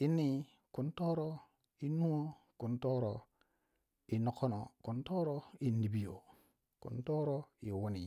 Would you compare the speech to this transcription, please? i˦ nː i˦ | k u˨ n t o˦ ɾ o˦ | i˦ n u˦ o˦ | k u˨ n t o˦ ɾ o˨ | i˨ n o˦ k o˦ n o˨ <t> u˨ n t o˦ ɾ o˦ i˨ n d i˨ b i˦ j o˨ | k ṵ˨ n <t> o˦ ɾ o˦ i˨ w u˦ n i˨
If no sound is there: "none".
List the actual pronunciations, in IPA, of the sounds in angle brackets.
k, t

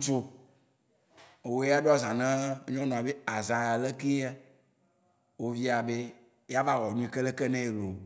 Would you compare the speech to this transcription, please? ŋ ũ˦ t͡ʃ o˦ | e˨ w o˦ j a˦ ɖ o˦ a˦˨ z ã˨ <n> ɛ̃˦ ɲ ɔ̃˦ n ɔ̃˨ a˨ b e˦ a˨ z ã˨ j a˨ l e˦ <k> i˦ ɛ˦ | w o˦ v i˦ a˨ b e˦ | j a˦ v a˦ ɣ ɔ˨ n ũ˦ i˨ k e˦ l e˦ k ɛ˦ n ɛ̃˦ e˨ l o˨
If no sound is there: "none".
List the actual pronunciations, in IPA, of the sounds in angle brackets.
n, k

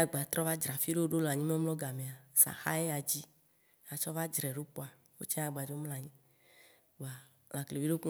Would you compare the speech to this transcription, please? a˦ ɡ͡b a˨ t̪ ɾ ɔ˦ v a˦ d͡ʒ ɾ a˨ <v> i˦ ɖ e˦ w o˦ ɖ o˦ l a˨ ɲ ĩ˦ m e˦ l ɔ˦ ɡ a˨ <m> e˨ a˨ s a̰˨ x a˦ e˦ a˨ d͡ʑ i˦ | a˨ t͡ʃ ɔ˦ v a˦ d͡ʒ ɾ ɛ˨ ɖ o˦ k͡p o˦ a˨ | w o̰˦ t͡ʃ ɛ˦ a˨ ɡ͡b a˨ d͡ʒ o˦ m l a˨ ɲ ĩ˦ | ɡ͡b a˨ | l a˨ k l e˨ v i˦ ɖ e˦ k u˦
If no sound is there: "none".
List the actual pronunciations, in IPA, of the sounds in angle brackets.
f, m

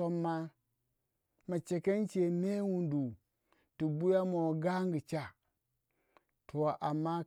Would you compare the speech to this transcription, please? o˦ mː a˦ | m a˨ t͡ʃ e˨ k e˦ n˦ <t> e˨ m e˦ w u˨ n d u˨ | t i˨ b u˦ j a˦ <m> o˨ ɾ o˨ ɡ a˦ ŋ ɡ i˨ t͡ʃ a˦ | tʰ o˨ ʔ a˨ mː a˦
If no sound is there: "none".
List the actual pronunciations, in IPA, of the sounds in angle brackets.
t͡ʃ, m

